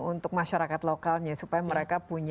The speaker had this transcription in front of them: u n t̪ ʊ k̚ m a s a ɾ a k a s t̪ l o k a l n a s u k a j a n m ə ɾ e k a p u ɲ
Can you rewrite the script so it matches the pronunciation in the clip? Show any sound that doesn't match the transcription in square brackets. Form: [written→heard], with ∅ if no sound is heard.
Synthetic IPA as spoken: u n t̪ ʊ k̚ m a [s→ʃ] a ɾ a k a [s→∅] t̪ l o k a l [n→ɲ] a s u [k→p] a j a [n→∅] m ə ɾ e k a p u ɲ